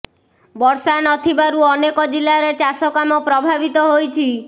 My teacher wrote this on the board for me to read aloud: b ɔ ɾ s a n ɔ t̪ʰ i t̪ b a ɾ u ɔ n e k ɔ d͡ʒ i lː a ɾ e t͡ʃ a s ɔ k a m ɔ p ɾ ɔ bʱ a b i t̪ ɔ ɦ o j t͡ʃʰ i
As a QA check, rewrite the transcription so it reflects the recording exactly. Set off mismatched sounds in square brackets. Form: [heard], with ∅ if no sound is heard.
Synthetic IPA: b ɔ ɾ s a n ɔ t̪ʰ i [∅] b a ɾ u ɔ n e k ɔ d͡ʒ i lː a ɾ e t͡ʃ a s ɔ k a m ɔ p ɾ ɔ bʱ a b i t̪ ɔ ɦ o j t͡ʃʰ i

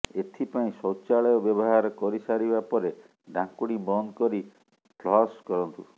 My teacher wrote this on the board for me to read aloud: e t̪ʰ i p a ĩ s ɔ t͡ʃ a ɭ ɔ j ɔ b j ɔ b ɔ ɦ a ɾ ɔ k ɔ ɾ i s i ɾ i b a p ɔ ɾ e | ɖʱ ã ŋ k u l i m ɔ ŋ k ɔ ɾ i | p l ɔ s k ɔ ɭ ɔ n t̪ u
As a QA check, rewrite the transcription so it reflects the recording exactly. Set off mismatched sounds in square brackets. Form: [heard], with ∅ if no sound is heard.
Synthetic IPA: e t̪ʰ i p a ĩ s ɔ t͡ʃ a ɭ ɔ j ɔ b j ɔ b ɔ ɦ a ɾ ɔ k ɔ ɾ i s [a] ɾ i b a p ɔ ɾ e | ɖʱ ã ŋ k u [ɽ] i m ɔ [n] k ɔ ɾ i | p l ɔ s k ɔ [ɾ] ɔ n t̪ u

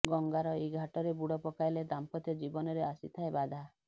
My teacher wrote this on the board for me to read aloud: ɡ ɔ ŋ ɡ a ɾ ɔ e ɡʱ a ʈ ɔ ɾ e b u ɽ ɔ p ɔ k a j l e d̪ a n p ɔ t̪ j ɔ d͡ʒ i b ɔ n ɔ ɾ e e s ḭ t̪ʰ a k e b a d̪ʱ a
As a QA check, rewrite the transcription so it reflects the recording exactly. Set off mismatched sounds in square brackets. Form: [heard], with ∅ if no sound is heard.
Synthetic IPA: ɡ ɔ ŋ ɡ a ɾ ɔ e ɡʱ a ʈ ɔ ɾ e b u ɽ ɔ p ɔ k a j l e d̪ a [m] p ɔ t̪ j ɔ d͡ʒ i b ɔ n ɔ ɾ e [a] s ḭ t̪ʰ a [∅] e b a d̪ʱ a

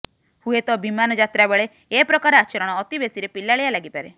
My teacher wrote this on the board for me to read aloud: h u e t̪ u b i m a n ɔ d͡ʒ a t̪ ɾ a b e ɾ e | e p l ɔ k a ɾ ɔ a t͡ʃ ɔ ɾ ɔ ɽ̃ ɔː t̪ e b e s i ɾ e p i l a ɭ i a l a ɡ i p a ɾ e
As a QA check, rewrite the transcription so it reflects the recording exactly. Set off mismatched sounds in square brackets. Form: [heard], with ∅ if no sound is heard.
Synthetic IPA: h u e t̪ [ɔ] b i m a n ɔ d͡ʒ a t̪ ɾ a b e [ɭ] e | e p [ɾ] ɔ k a ɾ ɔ a t͡ʃ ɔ ɾ ɔ ɽ̃ ɔː t̪ [i] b e s i ɾ e p i l a ɭ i a l a ɡ i p a ɾ e

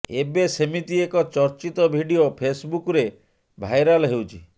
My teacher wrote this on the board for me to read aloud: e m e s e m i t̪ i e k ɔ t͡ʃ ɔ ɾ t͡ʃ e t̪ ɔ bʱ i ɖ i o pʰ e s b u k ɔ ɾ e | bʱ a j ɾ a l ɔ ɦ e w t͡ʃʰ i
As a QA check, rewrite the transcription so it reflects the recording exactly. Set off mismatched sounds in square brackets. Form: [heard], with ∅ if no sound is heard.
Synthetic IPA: e [b] e s e m i t̪ i e k ɔ t͡ʃ ɔ ɾ t͡ʃ [i] t̪ ɔ bʱ i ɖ i o pʰ e s b u k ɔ ɾ e | bʱ a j ɾ a l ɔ ɦ e w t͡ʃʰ i

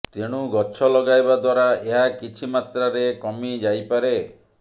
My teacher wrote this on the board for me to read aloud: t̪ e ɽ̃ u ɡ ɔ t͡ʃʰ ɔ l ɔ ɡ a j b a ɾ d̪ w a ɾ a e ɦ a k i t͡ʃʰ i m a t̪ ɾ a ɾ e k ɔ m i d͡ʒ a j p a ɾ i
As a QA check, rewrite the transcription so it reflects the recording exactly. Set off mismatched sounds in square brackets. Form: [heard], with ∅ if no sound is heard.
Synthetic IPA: t̪ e ɽ̃ u ɡ ɔ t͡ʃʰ ɔ l ɔ ɡ a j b a [∅] d̪ w a ɾ a e ɦ a k i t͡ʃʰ i m a t̪ ɾ a ɾ e k ɔ m i d͡ʒ a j p a ɾ [e]

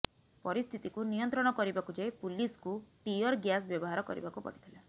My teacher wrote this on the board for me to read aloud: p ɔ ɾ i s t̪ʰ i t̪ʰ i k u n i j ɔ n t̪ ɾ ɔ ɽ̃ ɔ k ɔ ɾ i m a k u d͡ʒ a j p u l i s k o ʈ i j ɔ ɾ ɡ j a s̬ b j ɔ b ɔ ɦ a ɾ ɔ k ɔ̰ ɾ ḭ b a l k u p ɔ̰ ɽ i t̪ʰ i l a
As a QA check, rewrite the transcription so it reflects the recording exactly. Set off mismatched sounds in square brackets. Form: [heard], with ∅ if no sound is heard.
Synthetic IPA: p ɔ ɾ i s t̪ʰ i [t̪] i k u n i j ɔ n t̪ ɾ ɔ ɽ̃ ɔ k ɔ ɾ i [b] a k u d͡ʒ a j p u l i s k [u] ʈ i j ɔ ɾ ɡ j a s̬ b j ɔ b ɔ ɦ a ɾ ɔ k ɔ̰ ɾ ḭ b a [∅] k u p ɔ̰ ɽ i t̪ʰ i l a

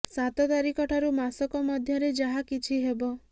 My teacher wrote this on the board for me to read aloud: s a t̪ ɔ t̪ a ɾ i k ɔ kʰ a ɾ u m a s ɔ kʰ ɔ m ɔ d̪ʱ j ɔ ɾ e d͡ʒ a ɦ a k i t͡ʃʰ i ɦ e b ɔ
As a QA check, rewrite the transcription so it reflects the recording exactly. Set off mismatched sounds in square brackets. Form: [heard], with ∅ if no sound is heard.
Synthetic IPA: s a t̪ ɔ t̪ a ɾ i k ɔ [ʈʰ] a ɾ u m a s ɔ [k] ɔ m ɔ d̪ʱ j ɔ ɾ e d͡ʒ a ɦ a k i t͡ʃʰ i ɦ e b ɔ

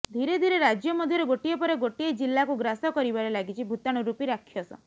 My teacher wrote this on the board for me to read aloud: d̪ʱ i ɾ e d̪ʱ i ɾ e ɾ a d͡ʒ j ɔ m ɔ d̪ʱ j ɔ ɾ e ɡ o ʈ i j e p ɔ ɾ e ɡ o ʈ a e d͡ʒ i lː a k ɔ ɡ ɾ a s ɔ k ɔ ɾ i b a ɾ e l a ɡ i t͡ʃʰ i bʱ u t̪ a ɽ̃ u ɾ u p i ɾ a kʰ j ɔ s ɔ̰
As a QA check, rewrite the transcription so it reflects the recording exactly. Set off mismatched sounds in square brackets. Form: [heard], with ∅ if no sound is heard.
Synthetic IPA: d̪ʱ i ɾ e d̪ʱ i ɾ e ɾ a d͡ʒ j ɔ m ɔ d̪ʱ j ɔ ɾ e ɡ o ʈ i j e p ɔ ɾ e ɡ o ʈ [i] e d͡ʒ i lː a k [u] ɡ ɾ a s ɔ k ɔ ɾ i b a ɾ e l a ɡ i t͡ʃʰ i bʱ u t̪ a ɽ̃ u ɾ u p i ɾ a kʰ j ɔ s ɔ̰

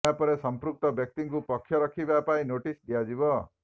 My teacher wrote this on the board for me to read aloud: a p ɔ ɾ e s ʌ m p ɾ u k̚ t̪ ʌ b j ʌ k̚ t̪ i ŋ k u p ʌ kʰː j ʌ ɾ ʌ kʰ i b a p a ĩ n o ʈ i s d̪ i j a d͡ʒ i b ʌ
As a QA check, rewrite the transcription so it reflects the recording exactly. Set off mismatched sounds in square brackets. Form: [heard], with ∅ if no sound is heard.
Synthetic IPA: a p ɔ ɾ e s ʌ m p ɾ u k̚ t̪ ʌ b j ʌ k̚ t̪ i ŋ k u p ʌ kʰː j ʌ ɾ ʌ kʰ i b a p a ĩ n o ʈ i s d̪ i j a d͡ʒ i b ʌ

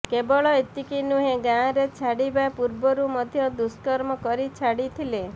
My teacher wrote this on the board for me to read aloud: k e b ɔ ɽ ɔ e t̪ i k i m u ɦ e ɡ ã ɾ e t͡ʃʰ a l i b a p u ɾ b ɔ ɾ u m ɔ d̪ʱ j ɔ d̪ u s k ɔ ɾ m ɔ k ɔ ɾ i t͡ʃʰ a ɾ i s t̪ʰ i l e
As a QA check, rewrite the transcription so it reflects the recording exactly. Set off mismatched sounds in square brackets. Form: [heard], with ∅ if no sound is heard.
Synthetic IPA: k e b ɔ [ɭ] ɔ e t̪ i k i [n] u ɦ e ɡ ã ɾ e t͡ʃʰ a [ɽ] i b a p u ɾ b ɔ ɾ u m ɔ d̪ʱ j ɔ d̪ u s k ɔ ɾ m ɔ k ɔ ɾ i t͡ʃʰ a [ɽ] i [∅] t̪ʰ i l e

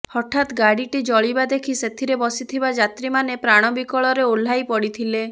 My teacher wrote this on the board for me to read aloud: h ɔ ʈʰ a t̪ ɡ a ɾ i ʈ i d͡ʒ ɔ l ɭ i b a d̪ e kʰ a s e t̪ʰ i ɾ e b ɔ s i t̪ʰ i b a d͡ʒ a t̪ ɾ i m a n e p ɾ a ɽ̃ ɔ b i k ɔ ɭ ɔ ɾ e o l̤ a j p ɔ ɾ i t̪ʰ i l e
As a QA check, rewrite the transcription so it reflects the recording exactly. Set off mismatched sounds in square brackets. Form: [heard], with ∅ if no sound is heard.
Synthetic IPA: h ɔ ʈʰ a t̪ ɡ a [ɽ] i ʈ i d͡ʒ ɔ [∅] ɭ i b a d̪ e kʰ [i] s e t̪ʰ i ɾ e b ɔ s i t̪ʰ i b a d͡ʒ a t̪ ɾ i m a n e p ɾ a ɽ̃ ɔ b i k ɔ ɭ ɔ ɾ e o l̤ a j p ɔ [ɽ] i t̪ʰ i l e

